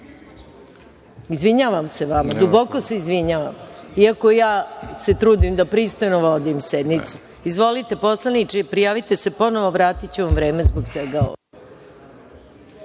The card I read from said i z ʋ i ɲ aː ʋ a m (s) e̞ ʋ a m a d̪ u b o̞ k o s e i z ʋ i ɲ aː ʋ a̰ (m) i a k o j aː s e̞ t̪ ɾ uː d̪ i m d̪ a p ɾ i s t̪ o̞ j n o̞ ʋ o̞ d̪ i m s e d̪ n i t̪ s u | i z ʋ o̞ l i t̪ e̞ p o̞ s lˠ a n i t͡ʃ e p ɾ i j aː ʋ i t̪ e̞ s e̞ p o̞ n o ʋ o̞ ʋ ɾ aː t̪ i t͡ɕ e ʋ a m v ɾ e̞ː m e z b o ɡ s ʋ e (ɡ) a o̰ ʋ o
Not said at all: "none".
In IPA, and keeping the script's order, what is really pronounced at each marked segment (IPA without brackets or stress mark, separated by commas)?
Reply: s, m, ɡ